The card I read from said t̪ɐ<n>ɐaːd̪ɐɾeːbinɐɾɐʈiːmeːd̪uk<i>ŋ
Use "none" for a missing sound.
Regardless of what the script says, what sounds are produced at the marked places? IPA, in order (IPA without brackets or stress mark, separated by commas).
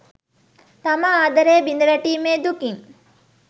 m, i